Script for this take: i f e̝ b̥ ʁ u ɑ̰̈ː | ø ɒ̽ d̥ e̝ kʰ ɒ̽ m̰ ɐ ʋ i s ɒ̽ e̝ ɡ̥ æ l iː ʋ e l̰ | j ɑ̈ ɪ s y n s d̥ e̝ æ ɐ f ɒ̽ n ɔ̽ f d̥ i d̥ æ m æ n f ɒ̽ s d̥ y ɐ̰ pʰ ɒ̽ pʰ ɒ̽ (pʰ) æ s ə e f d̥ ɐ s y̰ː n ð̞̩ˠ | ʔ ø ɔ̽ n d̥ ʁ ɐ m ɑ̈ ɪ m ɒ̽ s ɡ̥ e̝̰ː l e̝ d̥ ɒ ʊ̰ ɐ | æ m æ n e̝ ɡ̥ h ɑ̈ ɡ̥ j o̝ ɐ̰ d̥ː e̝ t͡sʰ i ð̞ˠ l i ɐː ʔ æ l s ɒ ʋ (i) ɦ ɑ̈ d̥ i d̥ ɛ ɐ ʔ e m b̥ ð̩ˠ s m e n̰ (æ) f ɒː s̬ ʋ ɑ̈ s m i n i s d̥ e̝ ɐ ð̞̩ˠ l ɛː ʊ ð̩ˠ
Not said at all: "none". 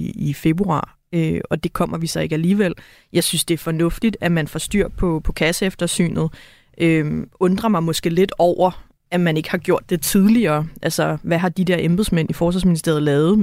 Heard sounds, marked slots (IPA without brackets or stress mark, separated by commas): kʰ, æ, i